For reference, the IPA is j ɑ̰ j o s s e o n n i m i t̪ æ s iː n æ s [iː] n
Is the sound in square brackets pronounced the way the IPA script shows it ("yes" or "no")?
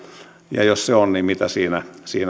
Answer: yes